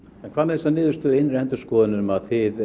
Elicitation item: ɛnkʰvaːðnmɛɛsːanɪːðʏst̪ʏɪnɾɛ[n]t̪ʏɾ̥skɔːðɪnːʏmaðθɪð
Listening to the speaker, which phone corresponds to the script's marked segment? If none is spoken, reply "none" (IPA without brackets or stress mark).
n